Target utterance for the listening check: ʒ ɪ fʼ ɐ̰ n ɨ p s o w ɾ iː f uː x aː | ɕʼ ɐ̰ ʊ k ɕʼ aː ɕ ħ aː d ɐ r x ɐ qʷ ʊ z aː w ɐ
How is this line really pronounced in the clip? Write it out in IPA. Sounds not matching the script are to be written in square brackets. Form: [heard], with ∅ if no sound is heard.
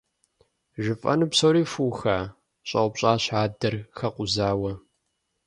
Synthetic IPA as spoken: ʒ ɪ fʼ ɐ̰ n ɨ p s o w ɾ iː f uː x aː | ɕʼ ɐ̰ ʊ [p] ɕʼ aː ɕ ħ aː d ɐ r x ɐ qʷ ʊ z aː w ɐ